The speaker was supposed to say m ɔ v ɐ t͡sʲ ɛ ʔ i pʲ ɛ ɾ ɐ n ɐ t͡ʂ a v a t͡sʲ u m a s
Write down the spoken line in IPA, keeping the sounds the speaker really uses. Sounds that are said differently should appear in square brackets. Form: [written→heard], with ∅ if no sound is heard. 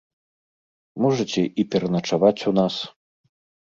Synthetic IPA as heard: m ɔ [v→ʐ] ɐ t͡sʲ ɛ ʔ i pʲ ɛ ɾ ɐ n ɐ t͡ʂ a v a t͡sʲ u [m→n] a s